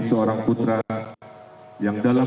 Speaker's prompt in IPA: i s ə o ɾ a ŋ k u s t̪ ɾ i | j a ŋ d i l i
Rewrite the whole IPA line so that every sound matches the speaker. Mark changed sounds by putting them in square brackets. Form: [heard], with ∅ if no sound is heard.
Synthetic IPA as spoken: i s ə o ɾ a ŋ [p] u [∅] t̪ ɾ [a] | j a ŋ d [a] l [a]

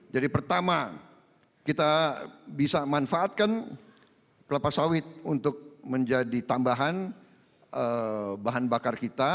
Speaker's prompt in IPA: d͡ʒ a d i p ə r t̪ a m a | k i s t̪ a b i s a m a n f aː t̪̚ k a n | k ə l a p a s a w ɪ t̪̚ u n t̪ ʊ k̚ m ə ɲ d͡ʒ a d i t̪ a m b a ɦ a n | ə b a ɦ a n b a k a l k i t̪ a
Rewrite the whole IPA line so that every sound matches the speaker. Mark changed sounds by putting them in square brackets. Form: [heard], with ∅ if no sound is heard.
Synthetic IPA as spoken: d͡ʒ a d i p ə r t̪ a m a | k i [∅] t̪ a b i s a m a n f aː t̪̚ k a n | k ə l a p a s a w ɪ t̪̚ u n t̪ ʊ k̚ m ə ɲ d͡ʒ a d i t̪ a m b a ɦ a n | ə b a ɦ a n b a k a [r] k i t̪ a

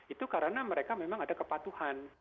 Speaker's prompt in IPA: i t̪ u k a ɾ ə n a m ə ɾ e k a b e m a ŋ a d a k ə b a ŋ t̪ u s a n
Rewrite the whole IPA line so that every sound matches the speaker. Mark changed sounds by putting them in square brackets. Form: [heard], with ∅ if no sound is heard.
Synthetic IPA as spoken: i t̪ u k a ɾ ə n a m ə ɾ e k a [m] e m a ŋ a d a k ə [p] a [∅] t̪ u [h] a n

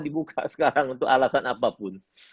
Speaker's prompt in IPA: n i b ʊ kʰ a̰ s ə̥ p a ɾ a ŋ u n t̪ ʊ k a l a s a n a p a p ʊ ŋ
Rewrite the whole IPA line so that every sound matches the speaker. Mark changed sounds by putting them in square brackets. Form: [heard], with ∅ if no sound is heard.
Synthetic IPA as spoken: [d] i b [u] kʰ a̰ s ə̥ [k] a ɾ a ŋ u n t̪ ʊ k a l a s a n a p a p ʊ [n]

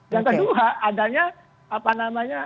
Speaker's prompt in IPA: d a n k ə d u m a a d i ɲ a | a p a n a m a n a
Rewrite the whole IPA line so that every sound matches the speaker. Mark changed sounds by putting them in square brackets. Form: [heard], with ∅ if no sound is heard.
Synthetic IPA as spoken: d a [ŋ] k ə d u [∅] a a d [a] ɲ a | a p a n a m a [ɲ] a

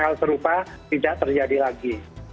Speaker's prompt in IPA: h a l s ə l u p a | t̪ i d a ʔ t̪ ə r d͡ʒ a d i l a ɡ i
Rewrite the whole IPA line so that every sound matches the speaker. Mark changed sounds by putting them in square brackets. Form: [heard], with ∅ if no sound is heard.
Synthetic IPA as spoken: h a l s ə [ɾ] u p a | t̪ i d a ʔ t̪ ə r d͡ʒ a d i l a ɡ i

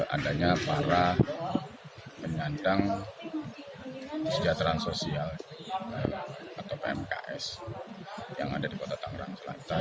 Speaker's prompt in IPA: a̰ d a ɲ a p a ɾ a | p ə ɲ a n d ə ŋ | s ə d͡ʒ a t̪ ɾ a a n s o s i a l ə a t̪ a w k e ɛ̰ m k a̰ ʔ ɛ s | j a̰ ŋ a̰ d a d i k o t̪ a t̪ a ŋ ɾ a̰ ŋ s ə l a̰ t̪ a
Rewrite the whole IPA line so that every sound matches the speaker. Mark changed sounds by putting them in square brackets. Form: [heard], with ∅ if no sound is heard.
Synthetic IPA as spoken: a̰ d a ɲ a p a ɾ a | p ə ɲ a n d [a] ŋ | s ə d͡ʒ a t̪ ɾ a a n s o s i a l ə a t̪ a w [p] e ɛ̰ m k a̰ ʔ ɛ s | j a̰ ŋ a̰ d a d i k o t̪ a t̪ a ŋ ɾ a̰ ŋ s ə l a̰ t̪ a

